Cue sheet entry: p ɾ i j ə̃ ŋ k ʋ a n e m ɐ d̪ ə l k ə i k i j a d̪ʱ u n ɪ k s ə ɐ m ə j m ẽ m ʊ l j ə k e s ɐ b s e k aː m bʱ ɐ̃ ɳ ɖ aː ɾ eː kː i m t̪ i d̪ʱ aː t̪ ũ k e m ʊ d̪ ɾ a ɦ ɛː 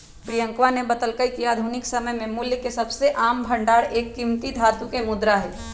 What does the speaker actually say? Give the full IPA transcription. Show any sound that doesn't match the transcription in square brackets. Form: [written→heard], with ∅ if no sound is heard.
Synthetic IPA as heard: p ɾ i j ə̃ ŋ k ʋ a n e [m→b] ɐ [d̪→t̪] ə l k ə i k i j a d̪ʱ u n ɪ k s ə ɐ m ə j m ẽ m ʊ l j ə k e s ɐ b s e [k→ʔ] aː m bʱ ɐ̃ ɳ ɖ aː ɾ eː kː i m t̪ i d̪ʱ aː t̪ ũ k e m ʊ d̪ ɾ a ɦ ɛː

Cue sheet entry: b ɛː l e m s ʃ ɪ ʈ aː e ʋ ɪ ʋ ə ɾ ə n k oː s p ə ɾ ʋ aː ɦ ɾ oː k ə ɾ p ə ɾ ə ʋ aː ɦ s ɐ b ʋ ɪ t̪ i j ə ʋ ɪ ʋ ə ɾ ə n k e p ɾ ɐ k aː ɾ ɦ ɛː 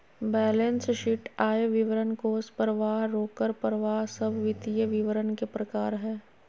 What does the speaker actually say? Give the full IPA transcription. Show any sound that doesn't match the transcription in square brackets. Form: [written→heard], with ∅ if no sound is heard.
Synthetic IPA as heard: b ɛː l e [m→n] s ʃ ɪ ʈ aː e ʋ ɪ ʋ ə ɾ ə n k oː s p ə ɾ ʋ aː ɦ ɾ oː k ə ɾ p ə ɾ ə ʋ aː ɦ s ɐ b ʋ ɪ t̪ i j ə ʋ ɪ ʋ ə ɾ ə n k e p ɾ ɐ k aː ɾ ɦ ɛː

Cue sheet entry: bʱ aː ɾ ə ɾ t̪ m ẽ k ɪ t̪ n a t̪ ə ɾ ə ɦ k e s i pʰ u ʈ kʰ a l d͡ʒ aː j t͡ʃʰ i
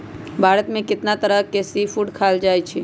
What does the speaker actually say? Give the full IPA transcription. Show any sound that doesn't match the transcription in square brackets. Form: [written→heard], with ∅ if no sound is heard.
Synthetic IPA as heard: bʱ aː ɾ ə [ɾ→∅] t̪ m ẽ k ɪ t̪ n a t̪ ə ɾ ə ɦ k e s i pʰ u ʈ kʰ a l d͡ʒ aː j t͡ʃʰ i

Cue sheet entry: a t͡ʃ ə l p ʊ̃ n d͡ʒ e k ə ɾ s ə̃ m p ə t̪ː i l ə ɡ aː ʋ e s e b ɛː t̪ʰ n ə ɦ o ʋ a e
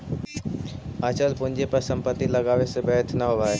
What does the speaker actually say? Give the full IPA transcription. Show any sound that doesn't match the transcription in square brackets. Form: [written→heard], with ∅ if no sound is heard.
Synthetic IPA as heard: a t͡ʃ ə l p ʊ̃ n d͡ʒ e [k→p] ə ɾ s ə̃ m p ə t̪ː i l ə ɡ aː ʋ e s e b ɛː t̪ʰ n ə ɦ o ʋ a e

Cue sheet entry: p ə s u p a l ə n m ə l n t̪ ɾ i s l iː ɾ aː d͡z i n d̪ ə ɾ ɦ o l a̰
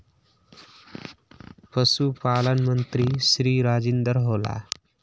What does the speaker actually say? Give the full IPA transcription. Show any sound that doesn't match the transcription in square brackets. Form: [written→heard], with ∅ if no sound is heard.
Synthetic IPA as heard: p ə s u p a l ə n m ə [l→∅] n t̪ ɾ i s [l→ɾ] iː ɾ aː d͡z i n d̪ ə ɾ ɦ o l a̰

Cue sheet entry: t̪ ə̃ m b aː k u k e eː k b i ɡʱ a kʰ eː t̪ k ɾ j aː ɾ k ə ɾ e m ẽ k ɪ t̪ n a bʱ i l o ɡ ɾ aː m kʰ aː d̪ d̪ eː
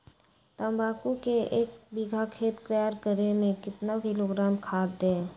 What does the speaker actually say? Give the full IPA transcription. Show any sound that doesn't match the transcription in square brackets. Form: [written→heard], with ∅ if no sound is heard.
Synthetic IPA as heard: t̪ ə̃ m b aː k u k e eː k b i ɡʱ a kʰ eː t̪ k ɾ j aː ɾ k ə ɾ e m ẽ k ɪ t̪ n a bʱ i l o ɡ ɾ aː m kʰ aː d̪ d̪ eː

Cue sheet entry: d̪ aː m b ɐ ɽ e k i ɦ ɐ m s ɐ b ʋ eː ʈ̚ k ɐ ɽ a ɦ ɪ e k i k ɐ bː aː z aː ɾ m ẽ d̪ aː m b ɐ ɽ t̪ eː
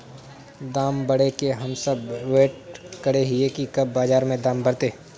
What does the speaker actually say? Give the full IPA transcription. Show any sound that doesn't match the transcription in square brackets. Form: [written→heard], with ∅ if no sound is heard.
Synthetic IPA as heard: d̪ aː m b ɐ ɽ e k [i→e] ɦ ɐ m s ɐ b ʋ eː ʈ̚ k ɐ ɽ [a→e] ɦ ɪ e k i k ɐ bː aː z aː ɾ m ẽ d̪ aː m b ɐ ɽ t̪ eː

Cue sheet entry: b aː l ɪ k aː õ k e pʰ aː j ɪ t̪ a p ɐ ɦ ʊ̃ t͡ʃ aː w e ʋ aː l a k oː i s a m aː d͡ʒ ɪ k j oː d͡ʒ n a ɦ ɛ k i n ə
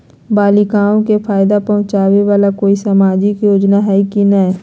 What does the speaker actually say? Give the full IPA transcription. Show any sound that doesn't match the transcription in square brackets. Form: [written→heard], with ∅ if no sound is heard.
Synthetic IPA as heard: b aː l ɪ k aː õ k e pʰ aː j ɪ [t̪→d̪] a p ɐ ɦ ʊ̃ t͡ʃ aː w e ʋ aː l a k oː i s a m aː d͡ʒ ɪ k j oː d͡ʒ n a ɦ ɛ k i n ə

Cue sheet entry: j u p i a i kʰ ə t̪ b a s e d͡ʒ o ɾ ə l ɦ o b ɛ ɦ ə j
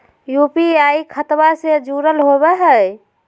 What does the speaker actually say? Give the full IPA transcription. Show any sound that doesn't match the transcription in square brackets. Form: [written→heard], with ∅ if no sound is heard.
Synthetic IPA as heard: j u p i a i kʰ ə t̪ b a s e d͡ʒ [o→u] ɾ ə l ɦ o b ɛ ɦ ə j

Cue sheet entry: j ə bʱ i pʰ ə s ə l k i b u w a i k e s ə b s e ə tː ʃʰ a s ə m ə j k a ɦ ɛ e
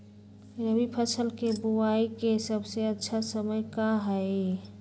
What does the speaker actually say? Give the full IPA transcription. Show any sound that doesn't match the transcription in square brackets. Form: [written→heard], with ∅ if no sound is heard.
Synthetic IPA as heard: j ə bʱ i pʰ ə s ə l k [i→e] b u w a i k e s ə b s e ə tː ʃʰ a s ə m ə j k a ɦ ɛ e

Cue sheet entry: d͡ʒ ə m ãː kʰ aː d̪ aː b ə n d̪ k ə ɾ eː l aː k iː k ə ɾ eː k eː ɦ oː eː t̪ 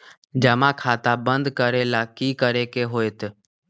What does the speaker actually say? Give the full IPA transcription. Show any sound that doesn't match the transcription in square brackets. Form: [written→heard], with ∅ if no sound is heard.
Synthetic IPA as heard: d͡ʒ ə m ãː kʰ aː [d̪→t̪] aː b ə n d̪ k ə ɾ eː l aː k iː k ə ɾ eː k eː ɦ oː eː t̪

